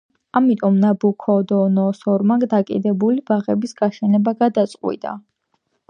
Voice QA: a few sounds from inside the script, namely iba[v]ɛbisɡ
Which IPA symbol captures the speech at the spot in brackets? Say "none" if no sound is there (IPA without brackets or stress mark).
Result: ʁ